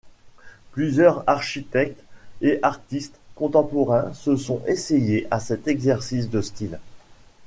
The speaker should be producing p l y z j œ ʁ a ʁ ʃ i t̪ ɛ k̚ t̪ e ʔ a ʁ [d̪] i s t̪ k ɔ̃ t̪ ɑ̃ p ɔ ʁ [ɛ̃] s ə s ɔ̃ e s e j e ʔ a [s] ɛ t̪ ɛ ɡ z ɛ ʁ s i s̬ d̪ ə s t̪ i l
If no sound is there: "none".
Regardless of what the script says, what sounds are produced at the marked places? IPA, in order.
t̪, ɛ̃, s

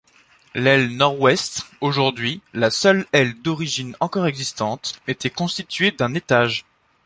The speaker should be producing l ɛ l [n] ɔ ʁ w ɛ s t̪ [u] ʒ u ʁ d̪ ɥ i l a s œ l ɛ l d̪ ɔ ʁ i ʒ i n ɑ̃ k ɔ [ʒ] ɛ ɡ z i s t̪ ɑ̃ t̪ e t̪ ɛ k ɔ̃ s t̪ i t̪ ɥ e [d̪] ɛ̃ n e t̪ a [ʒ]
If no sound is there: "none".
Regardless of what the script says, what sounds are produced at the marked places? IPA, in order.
n, o, ʁ, d̪, ʒ

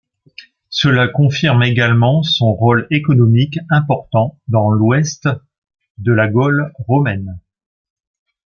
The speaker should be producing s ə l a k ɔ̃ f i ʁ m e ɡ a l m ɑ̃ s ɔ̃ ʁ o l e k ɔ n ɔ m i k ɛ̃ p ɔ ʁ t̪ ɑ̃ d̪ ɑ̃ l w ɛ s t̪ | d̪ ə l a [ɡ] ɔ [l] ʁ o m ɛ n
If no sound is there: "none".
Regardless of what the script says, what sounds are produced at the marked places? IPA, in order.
ɡ, l

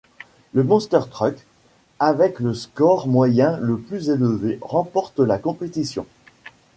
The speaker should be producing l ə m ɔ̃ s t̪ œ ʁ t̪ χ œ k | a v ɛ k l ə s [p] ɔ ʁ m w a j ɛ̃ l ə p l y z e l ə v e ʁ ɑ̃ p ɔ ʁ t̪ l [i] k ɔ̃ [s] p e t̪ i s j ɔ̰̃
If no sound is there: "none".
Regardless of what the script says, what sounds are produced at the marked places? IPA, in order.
k, a, none

